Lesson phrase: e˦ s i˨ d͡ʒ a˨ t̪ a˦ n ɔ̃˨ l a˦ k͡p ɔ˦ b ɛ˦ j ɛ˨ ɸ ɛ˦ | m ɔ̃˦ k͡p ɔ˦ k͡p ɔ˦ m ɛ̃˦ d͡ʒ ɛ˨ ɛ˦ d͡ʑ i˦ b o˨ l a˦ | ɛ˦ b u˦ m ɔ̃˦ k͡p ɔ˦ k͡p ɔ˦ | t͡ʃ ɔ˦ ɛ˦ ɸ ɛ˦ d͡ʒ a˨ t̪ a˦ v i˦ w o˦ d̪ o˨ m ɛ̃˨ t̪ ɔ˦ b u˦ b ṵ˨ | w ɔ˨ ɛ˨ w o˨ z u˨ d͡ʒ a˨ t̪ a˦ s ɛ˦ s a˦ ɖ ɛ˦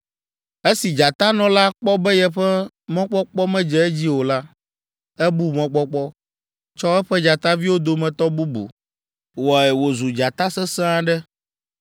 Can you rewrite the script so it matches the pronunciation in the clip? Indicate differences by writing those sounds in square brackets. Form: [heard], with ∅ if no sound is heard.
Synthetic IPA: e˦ s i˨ d͡ʒ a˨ t̪ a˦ n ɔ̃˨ l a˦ k͡p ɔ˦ b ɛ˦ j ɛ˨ ɸ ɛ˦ | m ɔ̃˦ k͡p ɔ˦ k͡p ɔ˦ m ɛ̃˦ d͡ʒ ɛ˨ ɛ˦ d͡ʑ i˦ [w] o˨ l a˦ | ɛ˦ b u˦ m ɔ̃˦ k͡p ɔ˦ k͡p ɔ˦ | t͡ʃ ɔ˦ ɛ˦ ɸ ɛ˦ d͡ʒ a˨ t̪ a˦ v i˦ w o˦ d̪ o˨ m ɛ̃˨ t̪ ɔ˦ b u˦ b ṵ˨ | w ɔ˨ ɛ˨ w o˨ z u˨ d͡ʒ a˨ t̪ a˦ s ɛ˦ s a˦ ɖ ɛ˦